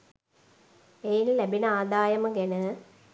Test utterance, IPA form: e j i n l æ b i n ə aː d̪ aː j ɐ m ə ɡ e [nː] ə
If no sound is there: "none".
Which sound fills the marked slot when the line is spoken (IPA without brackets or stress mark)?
n